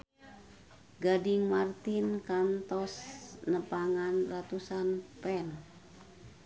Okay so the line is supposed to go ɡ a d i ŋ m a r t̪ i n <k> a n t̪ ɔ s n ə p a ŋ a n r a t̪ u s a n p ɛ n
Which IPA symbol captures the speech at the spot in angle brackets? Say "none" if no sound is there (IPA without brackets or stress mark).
k